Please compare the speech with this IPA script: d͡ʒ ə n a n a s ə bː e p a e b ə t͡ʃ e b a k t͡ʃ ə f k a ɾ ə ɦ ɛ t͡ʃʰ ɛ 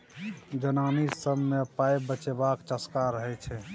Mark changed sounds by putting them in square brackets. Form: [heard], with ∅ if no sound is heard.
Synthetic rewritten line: d͡ʒ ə n a n [i] s ə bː e p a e b ə t͡ʃ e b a k t͡ʃ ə [s] k a ɾ ə ɦ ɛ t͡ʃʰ ɛ